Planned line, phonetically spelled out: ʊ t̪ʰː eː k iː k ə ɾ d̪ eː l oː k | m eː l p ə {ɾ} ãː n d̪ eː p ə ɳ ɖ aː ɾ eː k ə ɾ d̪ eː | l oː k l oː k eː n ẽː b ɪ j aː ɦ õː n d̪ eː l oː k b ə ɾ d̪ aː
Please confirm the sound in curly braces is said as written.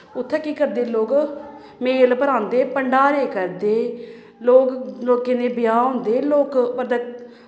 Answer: yes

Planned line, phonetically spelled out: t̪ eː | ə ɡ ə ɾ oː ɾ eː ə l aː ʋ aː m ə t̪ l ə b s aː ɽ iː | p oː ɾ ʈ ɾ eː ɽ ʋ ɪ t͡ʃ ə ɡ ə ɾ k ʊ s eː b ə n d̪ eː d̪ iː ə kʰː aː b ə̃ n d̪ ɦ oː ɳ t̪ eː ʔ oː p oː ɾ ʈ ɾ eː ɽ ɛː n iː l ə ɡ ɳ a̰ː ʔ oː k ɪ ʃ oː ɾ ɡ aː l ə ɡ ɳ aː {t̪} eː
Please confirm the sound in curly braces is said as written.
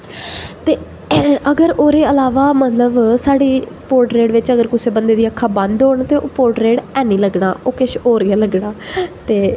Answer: yes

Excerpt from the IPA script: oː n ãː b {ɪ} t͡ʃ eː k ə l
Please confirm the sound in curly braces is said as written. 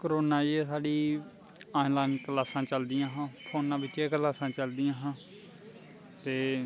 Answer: yes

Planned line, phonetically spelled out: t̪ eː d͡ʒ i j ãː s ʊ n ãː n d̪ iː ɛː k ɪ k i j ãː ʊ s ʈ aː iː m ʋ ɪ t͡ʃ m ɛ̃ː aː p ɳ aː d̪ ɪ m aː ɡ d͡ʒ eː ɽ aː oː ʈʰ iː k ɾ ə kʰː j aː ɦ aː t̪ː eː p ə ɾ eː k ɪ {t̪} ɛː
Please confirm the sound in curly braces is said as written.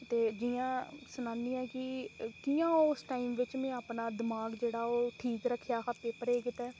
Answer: yes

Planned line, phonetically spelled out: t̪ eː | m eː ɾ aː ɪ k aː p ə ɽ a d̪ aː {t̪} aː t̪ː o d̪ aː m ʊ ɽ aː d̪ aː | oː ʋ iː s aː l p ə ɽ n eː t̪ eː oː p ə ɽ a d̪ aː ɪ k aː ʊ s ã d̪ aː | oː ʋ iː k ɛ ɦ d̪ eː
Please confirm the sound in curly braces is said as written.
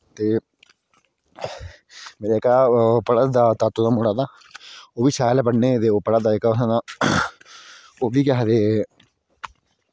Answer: yes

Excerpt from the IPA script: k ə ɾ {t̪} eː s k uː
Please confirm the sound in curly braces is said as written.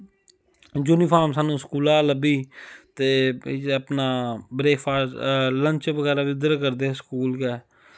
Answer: no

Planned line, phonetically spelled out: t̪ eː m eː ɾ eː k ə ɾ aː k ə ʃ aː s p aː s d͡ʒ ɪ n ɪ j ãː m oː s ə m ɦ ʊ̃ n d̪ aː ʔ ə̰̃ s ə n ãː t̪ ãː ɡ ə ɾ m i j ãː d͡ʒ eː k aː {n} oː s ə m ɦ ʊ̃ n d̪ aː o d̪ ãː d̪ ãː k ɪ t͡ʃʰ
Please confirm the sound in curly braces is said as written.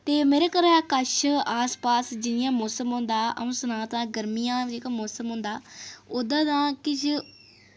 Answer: no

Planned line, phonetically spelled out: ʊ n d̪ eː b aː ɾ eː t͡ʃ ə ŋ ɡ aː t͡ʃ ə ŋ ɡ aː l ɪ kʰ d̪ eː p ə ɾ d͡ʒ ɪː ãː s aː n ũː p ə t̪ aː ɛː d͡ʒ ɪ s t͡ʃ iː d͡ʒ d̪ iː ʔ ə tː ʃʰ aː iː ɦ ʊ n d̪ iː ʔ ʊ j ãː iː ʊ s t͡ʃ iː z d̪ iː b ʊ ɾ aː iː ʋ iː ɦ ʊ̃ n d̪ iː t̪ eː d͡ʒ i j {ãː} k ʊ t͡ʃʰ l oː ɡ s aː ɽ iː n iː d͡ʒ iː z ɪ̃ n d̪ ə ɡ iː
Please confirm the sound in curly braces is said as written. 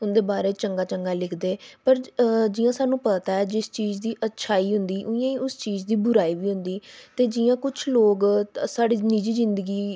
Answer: yes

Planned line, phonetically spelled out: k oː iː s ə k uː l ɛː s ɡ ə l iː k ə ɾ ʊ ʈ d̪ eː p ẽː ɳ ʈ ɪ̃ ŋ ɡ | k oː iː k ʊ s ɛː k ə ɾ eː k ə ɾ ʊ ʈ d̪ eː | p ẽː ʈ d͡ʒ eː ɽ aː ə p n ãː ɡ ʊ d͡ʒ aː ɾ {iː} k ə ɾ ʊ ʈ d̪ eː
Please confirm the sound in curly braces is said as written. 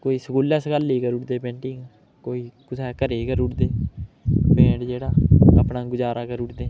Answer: no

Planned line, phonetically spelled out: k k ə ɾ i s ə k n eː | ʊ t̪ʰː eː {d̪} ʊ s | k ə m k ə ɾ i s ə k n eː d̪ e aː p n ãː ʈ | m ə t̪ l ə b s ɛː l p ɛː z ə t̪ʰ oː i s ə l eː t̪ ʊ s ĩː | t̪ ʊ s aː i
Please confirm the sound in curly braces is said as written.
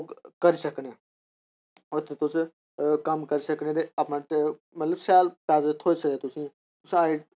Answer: no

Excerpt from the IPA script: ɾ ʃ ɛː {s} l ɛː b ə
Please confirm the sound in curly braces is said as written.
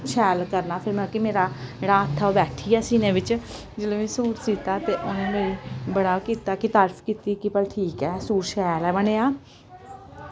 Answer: no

